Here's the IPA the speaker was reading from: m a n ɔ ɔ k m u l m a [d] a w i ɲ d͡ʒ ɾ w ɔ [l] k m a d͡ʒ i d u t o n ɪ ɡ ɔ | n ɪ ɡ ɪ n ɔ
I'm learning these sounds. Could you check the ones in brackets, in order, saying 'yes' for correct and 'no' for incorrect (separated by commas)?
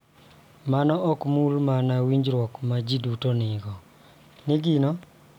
no, no